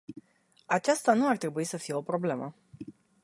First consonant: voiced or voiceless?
voiceless